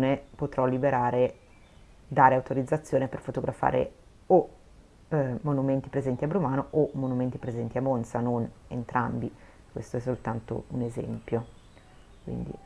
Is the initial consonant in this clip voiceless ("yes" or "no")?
no